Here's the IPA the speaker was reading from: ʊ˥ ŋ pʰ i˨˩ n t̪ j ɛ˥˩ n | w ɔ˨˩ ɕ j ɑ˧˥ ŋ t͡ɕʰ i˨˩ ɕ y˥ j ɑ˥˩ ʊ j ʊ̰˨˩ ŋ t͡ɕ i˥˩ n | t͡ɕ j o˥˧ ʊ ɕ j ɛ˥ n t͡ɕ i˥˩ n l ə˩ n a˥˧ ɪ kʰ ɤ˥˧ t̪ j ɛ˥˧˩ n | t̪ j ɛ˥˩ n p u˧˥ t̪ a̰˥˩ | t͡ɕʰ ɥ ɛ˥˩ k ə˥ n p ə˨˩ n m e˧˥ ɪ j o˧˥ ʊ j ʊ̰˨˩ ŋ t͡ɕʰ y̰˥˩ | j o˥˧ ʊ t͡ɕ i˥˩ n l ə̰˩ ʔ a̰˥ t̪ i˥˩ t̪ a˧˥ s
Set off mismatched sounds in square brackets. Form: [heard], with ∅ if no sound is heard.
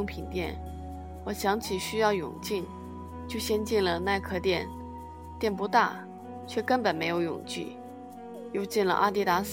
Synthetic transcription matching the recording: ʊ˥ ŋ pʰ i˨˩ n t̪ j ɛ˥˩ n | w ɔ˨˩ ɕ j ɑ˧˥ ŋ t͡ɕʰ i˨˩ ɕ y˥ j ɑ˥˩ ʊ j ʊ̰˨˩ ŋ t͡ɕ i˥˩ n | t͡ɕ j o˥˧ ʊ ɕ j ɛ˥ n t͡ɕ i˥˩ n l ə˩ n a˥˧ ɪ kʰ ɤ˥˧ t̪ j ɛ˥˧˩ n | t̪ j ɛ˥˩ n p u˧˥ t̪ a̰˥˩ | t͡ɕʰ ɥ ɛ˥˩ k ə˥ n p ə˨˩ n m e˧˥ ɪ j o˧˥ ʊ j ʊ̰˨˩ ŋ [t͡ɕ] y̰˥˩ | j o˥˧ ʊ t͡ɕ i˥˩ n l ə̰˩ ʔ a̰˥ t̪ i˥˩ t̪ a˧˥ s